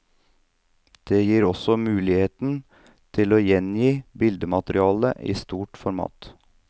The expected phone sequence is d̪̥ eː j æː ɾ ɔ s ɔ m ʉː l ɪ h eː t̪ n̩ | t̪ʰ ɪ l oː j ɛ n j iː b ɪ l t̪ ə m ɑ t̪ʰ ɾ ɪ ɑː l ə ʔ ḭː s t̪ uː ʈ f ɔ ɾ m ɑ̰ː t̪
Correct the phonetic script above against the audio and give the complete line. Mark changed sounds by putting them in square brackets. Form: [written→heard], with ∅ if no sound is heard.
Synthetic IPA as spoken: d̪̥ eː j [æː→iː] ɾ ɔ s ɔ m ʉː l ɪ h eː t̪ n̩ | t̪ʰ ɪ l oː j ɛ n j iː b ɪ l [t̪→d̪] ə m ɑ [t̪ʰ→t̪] ɾ ɪ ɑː l ə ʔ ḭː s t̪ uː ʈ f ɔ ɾ m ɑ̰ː t̪

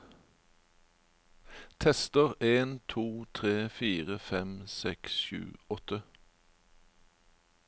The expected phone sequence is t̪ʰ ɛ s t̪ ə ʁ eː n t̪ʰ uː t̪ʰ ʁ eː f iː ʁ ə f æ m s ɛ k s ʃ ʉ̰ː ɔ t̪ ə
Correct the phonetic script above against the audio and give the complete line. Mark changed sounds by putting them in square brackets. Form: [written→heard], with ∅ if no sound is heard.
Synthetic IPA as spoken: t̪ʰ ɛ s t̪ ə ʁ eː n t̪ʰ uː t̪ʰ ʁ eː f iː ʁ ə f [æ→ɛ] m s ɛ k s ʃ ʉ̰ː ɔ t̪ ə

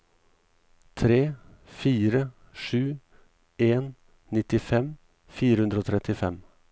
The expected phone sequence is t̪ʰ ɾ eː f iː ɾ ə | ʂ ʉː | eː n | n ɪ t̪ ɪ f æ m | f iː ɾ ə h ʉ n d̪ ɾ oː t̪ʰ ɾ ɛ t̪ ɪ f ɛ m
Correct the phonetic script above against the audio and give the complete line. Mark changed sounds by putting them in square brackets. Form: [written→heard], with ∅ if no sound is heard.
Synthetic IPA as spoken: t̪ʰ ɾ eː f iː ɾ ə | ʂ ʉː | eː n | n ɪ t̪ ɪ f [æ→ɛ] m | f iː ɾ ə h ʉ n d̪ ɾ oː t̪ʰ ɾ ɛ t̪ ɪ f ɛ m

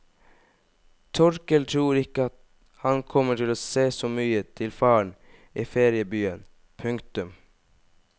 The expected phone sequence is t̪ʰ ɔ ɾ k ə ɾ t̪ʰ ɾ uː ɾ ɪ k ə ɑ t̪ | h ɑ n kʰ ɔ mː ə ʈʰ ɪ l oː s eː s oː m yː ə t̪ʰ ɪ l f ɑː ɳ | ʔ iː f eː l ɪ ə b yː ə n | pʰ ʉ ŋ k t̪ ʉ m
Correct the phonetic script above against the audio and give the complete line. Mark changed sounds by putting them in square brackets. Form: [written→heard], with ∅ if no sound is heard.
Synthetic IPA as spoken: t̪ʰ ɔ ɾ k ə [ɾ→l] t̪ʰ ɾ uː ɾ ɪ k ə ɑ t̪ | h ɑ n kʰ ɔ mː ə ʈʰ ɪ l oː s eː s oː m yː ə t̪ʰ ɪ l f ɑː ɳ | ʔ iː f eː [l→ɾ] ɪ ə b yː ə n | pʰ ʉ ŋ k t̪ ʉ m

